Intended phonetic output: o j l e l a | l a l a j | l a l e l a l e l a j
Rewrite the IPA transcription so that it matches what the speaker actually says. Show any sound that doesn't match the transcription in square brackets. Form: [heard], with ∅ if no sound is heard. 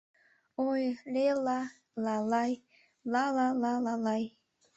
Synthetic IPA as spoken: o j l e l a | l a l a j | l a l [a] l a l [a] l a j